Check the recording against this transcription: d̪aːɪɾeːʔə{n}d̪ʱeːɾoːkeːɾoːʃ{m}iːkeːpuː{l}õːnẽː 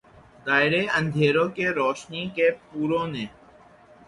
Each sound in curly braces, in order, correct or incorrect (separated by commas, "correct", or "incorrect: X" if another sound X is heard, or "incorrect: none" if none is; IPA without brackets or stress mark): correct, incorrect: n, incorrect: ɾ